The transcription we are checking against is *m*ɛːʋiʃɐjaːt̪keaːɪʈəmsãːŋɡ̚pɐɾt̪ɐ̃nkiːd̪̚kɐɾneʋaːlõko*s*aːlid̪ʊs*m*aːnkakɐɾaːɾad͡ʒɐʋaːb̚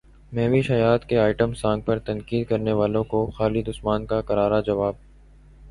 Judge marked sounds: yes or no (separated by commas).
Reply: yes, no, yes